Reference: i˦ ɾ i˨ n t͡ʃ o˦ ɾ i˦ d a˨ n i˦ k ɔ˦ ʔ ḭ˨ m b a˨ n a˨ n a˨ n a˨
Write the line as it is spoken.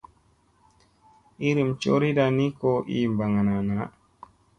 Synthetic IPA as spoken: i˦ ɾ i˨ m t͡ʃ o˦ ɾ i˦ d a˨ n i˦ k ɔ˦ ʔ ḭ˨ m b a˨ ŋ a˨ n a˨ n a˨